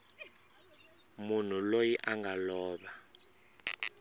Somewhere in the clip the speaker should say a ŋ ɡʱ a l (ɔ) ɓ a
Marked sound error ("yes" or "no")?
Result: yes